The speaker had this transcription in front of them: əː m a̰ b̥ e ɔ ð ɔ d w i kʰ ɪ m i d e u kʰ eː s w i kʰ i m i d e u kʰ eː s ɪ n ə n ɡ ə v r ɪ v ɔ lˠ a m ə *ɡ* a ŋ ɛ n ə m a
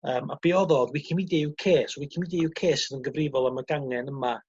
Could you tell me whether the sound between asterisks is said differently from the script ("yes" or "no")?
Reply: no